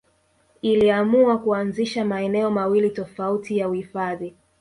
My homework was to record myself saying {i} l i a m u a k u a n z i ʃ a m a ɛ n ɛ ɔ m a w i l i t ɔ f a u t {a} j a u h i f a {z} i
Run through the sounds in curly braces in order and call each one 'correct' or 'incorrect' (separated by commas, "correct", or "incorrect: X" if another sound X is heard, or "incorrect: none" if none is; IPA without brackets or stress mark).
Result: correct, incorrect: i, incorrect: ð